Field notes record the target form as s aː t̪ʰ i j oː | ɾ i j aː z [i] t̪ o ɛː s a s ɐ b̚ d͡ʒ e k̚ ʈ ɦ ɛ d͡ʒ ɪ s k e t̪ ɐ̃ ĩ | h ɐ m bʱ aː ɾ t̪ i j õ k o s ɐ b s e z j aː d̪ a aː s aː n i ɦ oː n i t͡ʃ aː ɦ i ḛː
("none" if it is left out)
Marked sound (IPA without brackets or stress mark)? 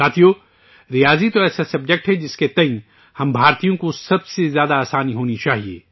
i